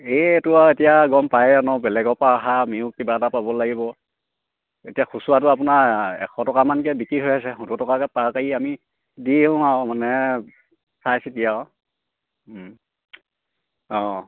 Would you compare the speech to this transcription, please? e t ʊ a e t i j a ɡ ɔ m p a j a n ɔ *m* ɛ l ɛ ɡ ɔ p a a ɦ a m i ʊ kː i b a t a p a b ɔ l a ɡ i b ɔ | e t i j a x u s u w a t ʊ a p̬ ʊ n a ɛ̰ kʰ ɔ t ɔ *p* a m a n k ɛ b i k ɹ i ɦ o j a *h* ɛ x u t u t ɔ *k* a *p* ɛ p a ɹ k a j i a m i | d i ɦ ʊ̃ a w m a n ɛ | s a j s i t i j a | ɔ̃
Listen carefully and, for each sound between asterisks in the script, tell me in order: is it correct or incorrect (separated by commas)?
incorrect, incorrect, incorrect, correct, incorrect